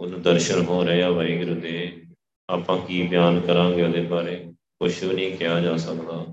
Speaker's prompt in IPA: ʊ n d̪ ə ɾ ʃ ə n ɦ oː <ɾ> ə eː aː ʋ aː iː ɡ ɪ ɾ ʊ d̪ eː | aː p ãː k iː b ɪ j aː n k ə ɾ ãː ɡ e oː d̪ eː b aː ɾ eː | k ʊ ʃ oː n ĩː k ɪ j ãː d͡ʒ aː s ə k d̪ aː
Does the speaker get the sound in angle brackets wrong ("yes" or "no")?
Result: no